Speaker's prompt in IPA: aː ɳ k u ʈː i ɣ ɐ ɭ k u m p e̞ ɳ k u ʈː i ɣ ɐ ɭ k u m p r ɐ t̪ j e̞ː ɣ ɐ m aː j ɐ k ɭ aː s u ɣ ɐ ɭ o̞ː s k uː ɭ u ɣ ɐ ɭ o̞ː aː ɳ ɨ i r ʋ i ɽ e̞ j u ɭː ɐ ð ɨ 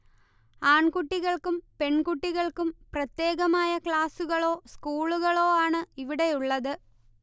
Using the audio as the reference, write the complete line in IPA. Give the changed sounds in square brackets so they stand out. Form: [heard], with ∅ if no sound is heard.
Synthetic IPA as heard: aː ɳ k u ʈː i ɣ ɐ ɭ k u m p e̞ ɳ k u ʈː i ɣ ɐ ɭ k u m p r ɐ t̪ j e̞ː ɣ ɐ m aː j ɐ k ɭ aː s u ɣ ɐ ɭ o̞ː s k uː ɭ u ɣ ɐ ɭ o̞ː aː ɳ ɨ i [∅] ʋ i ɽ e̞ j u ɭː ɐ ð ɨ